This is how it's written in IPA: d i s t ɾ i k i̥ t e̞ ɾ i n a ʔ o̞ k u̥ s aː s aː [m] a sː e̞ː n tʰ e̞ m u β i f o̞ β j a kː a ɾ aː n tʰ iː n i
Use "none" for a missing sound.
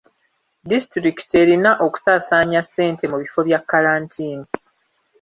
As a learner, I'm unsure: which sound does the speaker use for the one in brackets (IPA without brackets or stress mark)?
ɲ